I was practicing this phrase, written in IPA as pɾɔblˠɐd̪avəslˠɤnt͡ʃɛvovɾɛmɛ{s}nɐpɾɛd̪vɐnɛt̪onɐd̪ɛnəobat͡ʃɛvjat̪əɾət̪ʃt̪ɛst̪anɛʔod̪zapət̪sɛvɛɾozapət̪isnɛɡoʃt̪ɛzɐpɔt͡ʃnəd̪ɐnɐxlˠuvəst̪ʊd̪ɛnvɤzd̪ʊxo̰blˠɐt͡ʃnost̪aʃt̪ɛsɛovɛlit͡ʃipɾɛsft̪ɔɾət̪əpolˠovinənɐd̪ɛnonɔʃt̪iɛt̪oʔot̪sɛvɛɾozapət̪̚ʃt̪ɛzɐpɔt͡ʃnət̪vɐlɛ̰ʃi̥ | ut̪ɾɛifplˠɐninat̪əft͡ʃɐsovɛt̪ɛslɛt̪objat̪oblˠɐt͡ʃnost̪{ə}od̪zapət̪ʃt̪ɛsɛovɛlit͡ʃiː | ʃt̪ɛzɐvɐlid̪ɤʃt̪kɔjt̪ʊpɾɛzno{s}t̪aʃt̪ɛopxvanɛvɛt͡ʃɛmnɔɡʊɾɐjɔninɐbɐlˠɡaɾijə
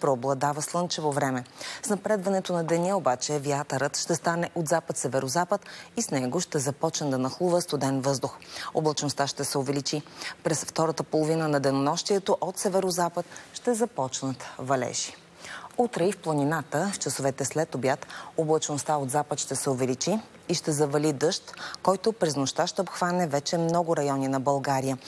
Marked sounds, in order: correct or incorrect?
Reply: correct, incorrect, incorrect

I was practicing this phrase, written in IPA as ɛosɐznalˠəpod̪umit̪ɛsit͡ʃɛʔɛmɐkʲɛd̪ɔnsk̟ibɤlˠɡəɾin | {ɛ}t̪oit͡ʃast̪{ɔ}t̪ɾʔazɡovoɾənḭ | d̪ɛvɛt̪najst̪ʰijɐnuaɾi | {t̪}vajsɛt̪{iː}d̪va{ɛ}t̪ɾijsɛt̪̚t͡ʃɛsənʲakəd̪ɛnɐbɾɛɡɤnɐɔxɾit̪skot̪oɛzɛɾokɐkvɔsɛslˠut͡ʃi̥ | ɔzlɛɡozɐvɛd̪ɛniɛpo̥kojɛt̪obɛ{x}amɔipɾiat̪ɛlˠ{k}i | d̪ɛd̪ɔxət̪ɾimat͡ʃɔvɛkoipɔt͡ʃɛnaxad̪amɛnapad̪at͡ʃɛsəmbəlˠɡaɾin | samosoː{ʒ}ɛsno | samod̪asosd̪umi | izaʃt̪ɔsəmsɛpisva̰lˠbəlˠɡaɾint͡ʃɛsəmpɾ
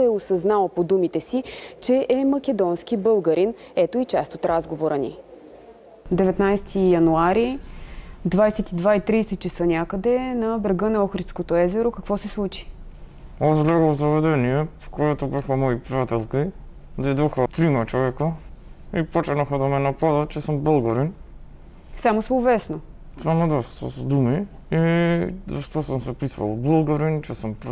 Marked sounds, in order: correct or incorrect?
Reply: correct, incorrect, incorrect, incorrect, incorrect, correct, correct, incorrect

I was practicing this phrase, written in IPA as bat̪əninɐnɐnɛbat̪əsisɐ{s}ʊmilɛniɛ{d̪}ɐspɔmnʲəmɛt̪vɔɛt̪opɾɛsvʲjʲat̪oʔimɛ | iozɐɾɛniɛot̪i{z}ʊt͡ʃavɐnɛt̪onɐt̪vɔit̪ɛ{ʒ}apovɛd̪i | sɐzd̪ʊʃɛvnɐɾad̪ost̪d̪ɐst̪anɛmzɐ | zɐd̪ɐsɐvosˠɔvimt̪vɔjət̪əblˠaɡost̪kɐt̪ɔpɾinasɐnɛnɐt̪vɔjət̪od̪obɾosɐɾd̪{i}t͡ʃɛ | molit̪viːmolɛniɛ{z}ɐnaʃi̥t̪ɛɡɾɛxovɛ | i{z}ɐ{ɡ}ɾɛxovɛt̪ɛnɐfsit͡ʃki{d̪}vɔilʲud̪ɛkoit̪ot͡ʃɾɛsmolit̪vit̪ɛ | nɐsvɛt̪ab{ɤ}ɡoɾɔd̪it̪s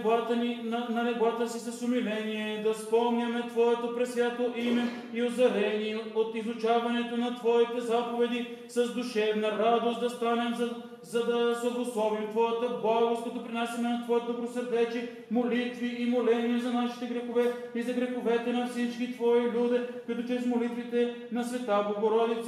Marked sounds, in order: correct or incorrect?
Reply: correct, correct, correct, incorrect, incorrect, correct, correct, correct, incorrect, incorrect

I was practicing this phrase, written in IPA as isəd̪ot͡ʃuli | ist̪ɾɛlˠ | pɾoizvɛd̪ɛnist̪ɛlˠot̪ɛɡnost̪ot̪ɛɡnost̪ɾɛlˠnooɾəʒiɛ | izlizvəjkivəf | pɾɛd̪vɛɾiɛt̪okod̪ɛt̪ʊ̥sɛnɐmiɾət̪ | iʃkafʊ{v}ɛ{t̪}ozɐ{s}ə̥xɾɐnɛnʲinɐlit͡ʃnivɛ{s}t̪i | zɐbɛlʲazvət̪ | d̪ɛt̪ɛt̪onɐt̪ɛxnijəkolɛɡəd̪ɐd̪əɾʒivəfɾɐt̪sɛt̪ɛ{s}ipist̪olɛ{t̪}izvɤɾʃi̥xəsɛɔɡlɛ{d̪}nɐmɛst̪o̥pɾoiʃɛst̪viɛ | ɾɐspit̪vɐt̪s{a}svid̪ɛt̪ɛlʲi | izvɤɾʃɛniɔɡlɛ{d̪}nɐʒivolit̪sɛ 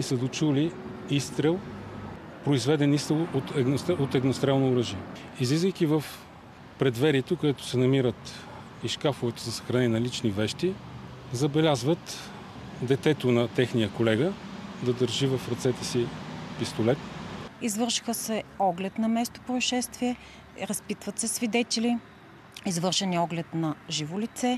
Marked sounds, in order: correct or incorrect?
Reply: correct, correct, correct, incorrect, correct, correct, incorrect, incorrect, incorrect

